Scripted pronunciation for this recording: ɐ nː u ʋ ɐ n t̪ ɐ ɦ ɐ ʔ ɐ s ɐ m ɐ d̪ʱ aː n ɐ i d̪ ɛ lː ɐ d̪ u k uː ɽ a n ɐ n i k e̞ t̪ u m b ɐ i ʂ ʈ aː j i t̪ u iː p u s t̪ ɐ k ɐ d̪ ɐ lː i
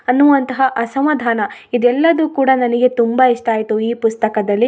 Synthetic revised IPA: ɐ nː u ʋ ɐ n t̪ ɐ ɦ ɐ ʔ ɐ s ɐ m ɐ d̪ʱ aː n ɐ i d̪ ɛ lː ɐ d̪ u k uː ɽ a n ɐ n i ɡ e̞ t̪ u m b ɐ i ʂ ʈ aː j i t̪ u iː p u s t̪ ɐ k ɐ d̪ ɐ lː i